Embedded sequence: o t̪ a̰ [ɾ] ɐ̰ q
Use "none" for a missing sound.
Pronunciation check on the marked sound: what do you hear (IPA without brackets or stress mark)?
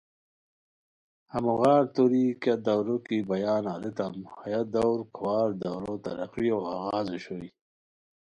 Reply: ɾ